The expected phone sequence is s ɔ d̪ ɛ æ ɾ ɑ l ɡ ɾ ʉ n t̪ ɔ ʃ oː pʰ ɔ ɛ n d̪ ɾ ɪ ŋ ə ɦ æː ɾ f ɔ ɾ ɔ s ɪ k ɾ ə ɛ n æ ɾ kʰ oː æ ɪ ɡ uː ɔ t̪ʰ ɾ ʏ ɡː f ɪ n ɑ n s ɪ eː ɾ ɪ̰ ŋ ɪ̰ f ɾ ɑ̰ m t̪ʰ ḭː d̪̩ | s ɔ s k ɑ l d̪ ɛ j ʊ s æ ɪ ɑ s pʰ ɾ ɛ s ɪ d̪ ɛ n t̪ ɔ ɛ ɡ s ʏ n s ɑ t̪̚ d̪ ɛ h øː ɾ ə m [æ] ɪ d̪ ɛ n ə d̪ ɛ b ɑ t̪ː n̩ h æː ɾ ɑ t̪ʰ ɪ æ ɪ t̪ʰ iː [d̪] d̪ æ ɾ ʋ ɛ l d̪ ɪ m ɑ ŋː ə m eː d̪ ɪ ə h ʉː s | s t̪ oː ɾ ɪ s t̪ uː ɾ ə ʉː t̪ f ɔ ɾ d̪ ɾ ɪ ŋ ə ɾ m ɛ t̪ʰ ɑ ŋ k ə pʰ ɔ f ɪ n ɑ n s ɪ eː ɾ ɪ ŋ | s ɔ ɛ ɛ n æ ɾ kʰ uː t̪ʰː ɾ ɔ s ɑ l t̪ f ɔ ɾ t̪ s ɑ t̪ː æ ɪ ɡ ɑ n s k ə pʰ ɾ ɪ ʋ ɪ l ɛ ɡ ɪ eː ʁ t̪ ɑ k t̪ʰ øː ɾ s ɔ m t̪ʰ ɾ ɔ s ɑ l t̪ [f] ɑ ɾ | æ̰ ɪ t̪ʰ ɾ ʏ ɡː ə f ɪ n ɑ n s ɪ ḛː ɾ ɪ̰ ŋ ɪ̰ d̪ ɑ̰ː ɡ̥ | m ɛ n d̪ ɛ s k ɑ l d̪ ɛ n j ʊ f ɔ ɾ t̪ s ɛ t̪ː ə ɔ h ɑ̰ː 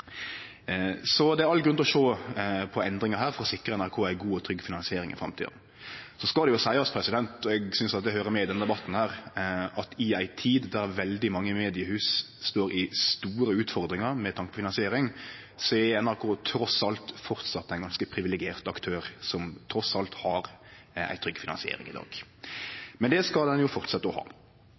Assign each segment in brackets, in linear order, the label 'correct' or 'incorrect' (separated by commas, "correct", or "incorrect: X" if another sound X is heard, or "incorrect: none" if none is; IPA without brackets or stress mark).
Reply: incorrect: ɛ, correct, incorrect: h